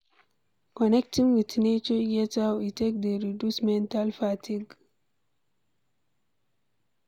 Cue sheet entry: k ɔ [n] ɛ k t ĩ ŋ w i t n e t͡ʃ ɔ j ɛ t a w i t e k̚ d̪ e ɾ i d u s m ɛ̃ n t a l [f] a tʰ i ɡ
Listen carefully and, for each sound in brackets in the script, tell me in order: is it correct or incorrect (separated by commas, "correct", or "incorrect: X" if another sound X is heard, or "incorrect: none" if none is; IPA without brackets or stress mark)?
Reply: correct, correct